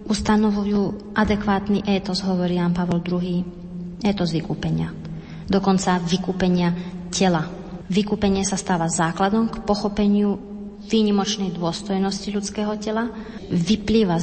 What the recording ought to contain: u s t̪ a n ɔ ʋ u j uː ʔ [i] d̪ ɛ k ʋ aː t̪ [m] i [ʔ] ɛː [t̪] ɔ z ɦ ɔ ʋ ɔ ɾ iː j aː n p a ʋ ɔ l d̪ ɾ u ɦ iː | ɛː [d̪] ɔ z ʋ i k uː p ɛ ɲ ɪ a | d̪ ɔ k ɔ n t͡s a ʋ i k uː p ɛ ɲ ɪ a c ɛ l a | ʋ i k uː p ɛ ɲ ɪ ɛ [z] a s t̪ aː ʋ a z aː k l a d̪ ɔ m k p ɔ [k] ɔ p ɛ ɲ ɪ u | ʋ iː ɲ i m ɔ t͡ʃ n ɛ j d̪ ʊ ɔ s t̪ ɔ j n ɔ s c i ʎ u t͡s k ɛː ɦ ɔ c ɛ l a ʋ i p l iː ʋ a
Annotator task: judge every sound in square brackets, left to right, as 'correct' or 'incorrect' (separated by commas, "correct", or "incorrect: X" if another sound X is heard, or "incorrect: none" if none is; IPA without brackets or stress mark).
incorrect: a, incorrect: n, correct, correct, incorrect: t̪, incorrect: s, incorrect: x